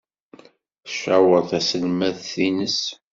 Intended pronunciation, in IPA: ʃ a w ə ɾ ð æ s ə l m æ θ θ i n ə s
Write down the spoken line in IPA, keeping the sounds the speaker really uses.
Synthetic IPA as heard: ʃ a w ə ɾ θ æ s ə l m æ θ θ i n ə s